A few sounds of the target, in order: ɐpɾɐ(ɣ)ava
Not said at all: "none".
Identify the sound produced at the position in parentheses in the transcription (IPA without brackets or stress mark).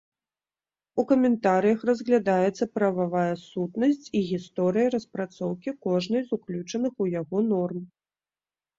v